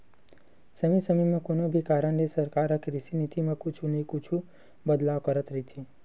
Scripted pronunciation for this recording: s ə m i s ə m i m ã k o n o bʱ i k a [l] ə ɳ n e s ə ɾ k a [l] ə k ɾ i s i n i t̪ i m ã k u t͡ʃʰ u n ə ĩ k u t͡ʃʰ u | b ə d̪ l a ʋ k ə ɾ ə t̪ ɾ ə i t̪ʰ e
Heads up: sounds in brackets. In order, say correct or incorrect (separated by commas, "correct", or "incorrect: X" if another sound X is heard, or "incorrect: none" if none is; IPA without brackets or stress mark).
incorrect: ɾ, incorrect: ɾ